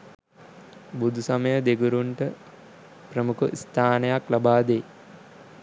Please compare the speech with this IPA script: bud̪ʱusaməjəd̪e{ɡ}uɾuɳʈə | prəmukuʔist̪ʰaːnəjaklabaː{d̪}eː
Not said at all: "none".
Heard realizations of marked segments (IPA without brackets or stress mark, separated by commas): ɡ, d̪